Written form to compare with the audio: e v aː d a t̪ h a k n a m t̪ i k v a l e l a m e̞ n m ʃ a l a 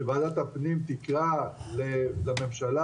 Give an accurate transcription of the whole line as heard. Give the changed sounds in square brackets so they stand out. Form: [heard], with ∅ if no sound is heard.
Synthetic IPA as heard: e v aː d a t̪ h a [p] n [i] m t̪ i k [ʁ] a l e l a m e̞ [∅] m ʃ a l a